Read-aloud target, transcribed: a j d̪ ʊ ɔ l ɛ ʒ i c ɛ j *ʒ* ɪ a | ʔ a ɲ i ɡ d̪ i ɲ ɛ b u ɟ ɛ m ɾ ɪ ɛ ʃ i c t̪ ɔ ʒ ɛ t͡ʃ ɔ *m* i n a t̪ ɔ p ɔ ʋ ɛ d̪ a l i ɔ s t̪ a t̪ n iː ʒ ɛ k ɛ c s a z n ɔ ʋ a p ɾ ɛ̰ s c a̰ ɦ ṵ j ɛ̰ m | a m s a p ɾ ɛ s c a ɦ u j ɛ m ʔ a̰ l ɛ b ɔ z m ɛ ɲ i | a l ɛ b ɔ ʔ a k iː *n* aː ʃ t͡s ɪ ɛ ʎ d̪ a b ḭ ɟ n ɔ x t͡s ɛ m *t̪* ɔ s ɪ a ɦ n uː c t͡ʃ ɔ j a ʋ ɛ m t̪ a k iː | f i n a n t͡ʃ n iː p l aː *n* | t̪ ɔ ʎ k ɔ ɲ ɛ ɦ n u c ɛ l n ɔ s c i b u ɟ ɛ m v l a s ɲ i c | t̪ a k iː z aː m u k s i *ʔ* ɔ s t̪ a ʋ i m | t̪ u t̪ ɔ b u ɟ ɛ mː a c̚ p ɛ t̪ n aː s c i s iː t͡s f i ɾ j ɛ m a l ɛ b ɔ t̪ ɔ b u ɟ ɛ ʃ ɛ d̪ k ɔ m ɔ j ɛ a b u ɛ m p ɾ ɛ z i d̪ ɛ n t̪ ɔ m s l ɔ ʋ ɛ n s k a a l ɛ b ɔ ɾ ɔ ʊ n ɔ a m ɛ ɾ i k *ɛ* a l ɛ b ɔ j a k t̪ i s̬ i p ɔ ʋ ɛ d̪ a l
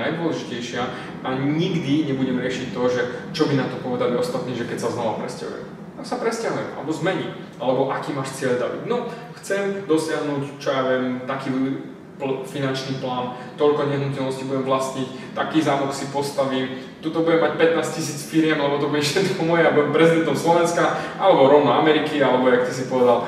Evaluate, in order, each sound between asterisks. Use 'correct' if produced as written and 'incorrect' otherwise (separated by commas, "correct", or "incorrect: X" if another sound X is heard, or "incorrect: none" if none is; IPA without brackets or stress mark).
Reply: incorrect: ʃ, incorrect: b, incorrect: m, incorrect: d̪, correct, incorrect: p, incorrect: i